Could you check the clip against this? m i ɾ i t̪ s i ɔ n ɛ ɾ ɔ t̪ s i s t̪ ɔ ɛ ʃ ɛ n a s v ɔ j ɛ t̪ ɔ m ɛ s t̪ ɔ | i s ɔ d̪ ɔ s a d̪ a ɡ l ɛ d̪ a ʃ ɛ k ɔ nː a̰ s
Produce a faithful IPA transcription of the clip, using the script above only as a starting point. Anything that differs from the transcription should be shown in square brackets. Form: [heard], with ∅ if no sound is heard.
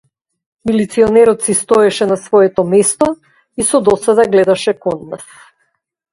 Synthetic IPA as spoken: m i [l] i t̪ s i ɔ n ɛ ɾ ɔ t̪ s i s t̪ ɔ ɛ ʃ ɛ n a s v ɔ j ɛ t̪ ɔ m ɛ s t̪ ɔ | i s ɔ d̪ ɔ s a d̪ a ɡ l ɛ d̪ a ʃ ɛ k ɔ nː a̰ s

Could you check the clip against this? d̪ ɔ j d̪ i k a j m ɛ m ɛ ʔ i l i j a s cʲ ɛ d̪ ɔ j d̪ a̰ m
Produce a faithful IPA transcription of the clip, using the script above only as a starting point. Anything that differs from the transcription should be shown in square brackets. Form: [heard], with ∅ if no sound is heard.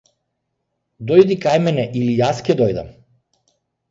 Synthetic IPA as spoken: d̪ ɔ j d̪ i k a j m ɛ [n] ɛ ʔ i l i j a s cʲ ɛ d̪ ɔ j d̪ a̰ m

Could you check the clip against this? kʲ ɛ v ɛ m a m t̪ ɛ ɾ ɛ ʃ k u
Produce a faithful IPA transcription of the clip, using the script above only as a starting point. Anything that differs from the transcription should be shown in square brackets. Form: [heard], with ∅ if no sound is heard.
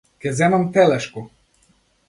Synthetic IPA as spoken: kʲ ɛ [z] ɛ m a m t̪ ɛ [l] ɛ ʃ k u

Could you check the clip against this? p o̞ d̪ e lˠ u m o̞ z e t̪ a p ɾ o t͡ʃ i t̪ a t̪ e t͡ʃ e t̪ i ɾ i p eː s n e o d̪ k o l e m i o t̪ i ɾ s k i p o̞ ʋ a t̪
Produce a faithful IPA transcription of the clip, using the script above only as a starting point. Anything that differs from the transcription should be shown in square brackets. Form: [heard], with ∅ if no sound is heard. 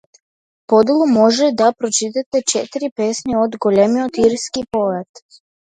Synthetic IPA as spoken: p o̞ d̪ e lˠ u m o̞ [ʒ] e [d̪] a p ɾ o t͡ʃ i t̪ a t̪ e t͡ʃ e t̪ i ɾ i p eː s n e o d̪ [ɡ] o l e m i o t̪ i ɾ s k i p o̞ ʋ a t̪

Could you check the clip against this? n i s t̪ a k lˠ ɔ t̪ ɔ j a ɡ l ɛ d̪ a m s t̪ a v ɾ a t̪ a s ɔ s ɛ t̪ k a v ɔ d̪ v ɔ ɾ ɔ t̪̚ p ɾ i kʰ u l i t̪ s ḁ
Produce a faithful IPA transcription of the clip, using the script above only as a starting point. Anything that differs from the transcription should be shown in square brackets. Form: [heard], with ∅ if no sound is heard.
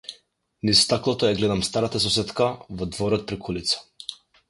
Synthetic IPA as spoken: n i s t̪ a k lˠ ɔ t̪ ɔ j a ɡ l ɛ d̪ a m s t̪ a [∅] ɾ a t̪ a s ɔ s ɛ t̪ k a v ɔ d̪ v ɔ ɾ ɔ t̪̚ p ɾ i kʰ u l i t̪ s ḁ

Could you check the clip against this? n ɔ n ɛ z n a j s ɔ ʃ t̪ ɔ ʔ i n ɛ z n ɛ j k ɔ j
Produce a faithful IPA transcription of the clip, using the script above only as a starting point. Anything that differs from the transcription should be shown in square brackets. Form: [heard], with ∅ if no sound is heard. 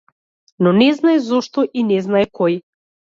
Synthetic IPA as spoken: n ɔ n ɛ z n a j [z] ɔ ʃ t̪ ɔ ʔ i n ɛ z n [a] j k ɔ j

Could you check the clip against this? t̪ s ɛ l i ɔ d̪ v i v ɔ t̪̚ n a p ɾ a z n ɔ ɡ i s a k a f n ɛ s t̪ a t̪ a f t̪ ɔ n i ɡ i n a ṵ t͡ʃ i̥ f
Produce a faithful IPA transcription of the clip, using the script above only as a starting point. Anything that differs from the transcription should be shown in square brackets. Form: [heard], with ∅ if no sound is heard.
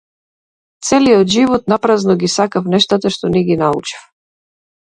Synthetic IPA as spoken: t̪ s ɛ l i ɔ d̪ [ʒ] i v ɔ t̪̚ n a p ɾ a z n ɔ ɡ i s a k a f n ɛ [ʃ] t̪ a t̪ a [ʃ] t̪ ɔ n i ɡ i n a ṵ t͡ʃ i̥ f

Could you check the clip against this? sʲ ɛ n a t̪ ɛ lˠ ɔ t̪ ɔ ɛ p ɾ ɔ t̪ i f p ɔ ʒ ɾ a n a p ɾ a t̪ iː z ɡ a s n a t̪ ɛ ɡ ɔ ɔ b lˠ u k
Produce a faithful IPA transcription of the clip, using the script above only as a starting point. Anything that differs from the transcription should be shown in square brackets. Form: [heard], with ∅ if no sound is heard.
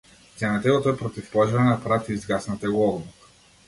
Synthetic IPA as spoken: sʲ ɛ n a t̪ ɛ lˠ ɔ t̪ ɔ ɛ p ɾ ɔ t̪ i f p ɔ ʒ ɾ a n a p ɾ a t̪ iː z ɡ a s n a t̪ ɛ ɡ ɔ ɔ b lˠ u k

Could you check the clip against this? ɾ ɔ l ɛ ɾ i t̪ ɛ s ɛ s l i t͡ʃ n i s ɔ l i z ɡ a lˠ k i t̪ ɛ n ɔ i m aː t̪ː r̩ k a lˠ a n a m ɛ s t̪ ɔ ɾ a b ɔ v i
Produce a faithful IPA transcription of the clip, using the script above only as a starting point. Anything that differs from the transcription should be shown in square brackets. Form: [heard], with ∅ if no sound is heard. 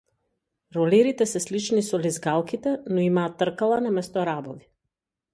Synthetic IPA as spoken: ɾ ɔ l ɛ ɾ i t̪ ɛ s ɛ s l i t͡ʃ n i s ɔ l i z ɡ a lˠ k i t̪ ɛ n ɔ i m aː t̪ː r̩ k a lˠ a n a m ɛ s t̪ ɔ ɾ a b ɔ v i

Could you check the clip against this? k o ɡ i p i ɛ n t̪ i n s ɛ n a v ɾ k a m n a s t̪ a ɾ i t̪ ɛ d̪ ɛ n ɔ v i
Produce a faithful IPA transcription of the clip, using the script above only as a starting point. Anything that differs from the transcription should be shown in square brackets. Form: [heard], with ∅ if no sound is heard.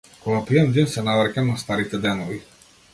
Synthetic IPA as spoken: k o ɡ [a] p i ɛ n [d̪] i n s ɛ n a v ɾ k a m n a s t̪ a ɾ i t̪ ɛ d̪ ɛ n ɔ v i

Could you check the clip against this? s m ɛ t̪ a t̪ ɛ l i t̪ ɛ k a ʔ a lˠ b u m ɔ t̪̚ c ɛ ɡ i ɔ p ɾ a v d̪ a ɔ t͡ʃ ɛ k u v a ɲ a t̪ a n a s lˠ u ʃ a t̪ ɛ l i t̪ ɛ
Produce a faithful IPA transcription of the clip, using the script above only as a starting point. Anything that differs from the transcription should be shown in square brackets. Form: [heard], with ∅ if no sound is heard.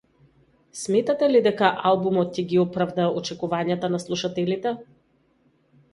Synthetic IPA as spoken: s m ɛ t̪ a t̪ ɛ l i [d̪] ɛ k a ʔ a lˠ b u m ɔ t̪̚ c ɛ ɡ i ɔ p ɾ a v d̪ a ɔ t͡ʃ ɛ k u v a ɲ a t̪ a n a s lˠ u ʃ a t̪ ɛ l i t̪ ɛ

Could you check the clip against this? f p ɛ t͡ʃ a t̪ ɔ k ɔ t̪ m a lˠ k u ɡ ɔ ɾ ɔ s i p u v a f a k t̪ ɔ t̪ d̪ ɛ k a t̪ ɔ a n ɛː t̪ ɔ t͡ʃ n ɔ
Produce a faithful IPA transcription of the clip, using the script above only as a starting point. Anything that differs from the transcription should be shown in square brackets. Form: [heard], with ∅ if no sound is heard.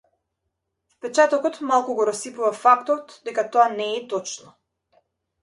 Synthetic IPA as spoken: f p ɛ t͡ʃ a t̪ ɔ k ɔ t̪ m a lˠ k u ɡ ɔ ɾ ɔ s i p u v a f a k t̪ ɔ t̪ d̪ ɛ k a t̪ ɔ a n ɛː t̪ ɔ t͡ʃ n ɔ

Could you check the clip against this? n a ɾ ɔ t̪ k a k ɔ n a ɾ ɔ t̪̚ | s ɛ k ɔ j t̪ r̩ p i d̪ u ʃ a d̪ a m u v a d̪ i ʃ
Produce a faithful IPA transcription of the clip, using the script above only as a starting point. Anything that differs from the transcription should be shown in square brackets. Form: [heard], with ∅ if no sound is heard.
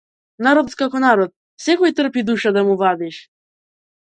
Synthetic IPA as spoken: n a ɾ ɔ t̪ k a k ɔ n a ɾ ɔ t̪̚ | s ɛ k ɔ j t̪ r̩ p i d̪ u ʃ a d̪ a m u v a d̪ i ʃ

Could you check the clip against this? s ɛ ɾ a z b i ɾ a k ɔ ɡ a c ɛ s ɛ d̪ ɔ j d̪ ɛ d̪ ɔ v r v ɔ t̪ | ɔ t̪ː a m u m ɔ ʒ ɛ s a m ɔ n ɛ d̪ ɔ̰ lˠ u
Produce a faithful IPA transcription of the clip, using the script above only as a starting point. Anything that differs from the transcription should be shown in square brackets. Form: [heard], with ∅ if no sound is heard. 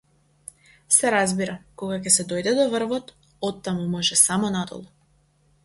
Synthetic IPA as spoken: s ɛ ɾ a z b i ɾ a k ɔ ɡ a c ɛ s ɛ d̪ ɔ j d̪ ɛ d̪ ɔ v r v ɔ t̪ | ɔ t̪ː a m u m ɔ ʒ ɛ s a m ɔ n [a] d̪ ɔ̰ lˠ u

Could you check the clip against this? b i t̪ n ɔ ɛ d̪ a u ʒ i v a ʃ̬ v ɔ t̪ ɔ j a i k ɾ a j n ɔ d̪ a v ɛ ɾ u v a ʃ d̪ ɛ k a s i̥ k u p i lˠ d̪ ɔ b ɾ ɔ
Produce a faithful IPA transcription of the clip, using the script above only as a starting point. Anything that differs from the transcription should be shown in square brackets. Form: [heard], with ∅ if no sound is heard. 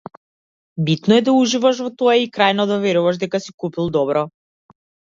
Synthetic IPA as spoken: b i t̪ n ɔ ɛ d̪ a u ʒ i v a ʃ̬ v ɔ t̪ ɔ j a i k ɾ a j n ɔ d̪ a v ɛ ɾ u v a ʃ d̪ ɛ k a s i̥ k u p i lˠ d̪ ɔ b ɾ ɔ

